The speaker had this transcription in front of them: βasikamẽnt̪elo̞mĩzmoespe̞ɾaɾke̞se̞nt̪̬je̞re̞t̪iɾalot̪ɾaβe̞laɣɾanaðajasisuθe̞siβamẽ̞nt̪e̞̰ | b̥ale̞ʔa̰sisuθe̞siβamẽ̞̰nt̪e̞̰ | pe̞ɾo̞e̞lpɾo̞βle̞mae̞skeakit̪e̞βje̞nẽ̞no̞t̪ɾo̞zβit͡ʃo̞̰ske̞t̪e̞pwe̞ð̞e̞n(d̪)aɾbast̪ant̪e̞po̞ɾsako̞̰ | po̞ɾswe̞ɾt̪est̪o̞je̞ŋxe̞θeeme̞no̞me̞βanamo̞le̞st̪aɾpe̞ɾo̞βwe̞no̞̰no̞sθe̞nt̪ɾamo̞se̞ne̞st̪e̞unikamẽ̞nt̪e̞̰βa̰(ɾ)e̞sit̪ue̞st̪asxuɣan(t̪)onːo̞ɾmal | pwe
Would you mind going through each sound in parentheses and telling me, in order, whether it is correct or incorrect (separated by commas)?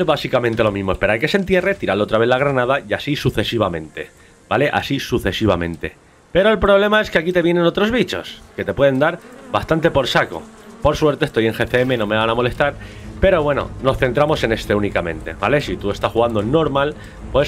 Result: correct, incorrect, incorrect